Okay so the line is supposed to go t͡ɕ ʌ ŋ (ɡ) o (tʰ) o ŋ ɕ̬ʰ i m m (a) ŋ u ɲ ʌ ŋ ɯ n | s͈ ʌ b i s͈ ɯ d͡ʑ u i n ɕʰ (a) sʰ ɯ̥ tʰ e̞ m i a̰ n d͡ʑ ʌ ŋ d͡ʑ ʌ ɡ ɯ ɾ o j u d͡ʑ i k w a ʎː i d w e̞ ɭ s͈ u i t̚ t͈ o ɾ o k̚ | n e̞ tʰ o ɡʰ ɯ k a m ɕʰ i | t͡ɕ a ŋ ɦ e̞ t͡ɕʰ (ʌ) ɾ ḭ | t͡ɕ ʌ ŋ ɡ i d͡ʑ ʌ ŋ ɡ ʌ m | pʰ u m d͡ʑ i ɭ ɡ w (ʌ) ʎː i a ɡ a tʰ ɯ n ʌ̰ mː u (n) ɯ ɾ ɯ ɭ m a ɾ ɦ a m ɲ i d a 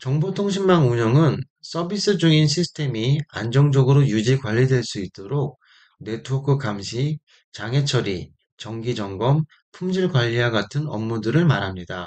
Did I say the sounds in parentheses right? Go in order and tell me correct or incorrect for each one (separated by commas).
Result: incorrect, correct, correct, incorrect, correct, incorrect, incorrect